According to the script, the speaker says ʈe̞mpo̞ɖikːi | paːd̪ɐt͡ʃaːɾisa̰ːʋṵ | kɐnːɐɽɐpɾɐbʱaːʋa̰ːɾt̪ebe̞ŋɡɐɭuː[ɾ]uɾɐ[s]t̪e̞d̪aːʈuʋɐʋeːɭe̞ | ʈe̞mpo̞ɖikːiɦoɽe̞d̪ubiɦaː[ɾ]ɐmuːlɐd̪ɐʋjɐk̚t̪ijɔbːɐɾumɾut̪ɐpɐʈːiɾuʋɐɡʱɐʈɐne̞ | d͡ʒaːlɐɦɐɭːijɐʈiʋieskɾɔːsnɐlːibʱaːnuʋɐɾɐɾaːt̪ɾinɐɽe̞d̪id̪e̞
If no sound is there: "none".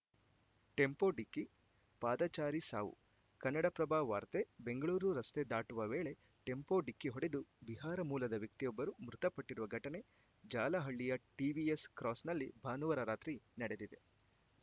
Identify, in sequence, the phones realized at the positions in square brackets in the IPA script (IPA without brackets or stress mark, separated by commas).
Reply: ɾ, s, ɾ